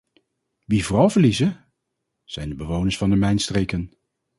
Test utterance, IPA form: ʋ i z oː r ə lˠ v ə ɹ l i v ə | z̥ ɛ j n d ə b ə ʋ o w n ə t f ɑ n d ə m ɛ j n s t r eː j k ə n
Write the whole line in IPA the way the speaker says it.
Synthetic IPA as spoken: ʋ i v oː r ɑ lˠ v ə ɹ l i z ə | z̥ ɛ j n d ə b ə ʋ o w n ə s f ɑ n d ə m ɛ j n s t r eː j k ə n